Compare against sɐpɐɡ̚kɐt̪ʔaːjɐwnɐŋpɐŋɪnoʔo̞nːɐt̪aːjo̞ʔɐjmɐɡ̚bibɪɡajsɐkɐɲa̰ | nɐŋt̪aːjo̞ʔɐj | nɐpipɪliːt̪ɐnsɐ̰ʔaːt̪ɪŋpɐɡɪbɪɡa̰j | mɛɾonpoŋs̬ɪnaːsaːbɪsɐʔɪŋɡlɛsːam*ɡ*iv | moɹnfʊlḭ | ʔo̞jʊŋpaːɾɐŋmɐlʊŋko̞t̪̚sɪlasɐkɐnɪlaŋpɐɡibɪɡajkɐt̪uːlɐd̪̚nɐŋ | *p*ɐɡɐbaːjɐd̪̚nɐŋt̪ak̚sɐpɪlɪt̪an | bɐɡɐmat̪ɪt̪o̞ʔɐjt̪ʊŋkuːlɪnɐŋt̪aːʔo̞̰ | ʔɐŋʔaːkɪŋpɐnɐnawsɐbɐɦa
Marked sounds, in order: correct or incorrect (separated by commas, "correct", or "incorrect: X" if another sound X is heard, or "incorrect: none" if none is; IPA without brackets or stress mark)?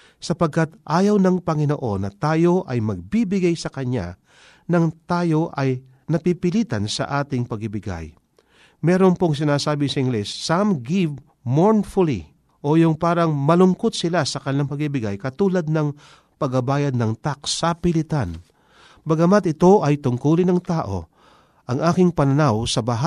correct, correct